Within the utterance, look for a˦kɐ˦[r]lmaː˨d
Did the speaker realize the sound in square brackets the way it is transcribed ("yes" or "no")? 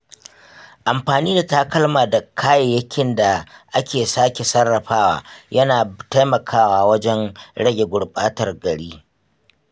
no